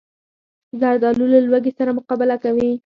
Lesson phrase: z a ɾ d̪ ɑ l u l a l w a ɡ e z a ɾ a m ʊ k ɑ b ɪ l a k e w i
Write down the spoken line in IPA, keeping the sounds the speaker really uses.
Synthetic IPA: z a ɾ d̪ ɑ l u l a l w a ɡ e s a ɾ a m ʊ q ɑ b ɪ l a k a w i